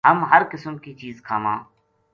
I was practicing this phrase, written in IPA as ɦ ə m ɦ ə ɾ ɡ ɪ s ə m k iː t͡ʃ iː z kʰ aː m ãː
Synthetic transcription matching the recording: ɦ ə m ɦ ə ɾ k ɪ s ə m k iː t͡ʃ iː z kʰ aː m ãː